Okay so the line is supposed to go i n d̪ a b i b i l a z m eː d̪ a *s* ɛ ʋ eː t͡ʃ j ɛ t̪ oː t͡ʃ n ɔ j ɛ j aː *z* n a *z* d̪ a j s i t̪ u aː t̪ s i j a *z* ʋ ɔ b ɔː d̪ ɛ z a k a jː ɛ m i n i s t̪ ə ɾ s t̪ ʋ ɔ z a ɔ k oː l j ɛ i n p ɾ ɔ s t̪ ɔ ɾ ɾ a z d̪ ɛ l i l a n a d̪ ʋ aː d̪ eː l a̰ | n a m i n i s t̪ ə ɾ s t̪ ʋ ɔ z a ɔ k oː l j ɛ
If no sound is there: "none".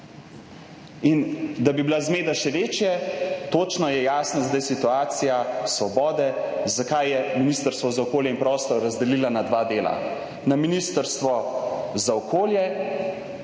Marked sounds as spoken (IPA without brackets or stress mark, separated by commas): ʃ, s, z, s